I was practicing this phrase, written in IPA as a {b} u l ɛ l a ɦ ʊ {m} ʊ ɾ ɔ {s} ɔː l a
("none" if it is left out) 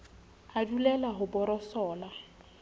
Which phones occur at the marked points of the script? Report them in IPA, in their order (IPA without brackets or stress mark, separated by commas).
d, b, s